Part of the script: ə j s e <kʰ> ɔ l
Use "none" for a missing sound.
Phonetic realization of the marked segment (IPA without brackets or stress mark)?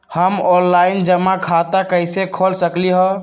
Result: kʰ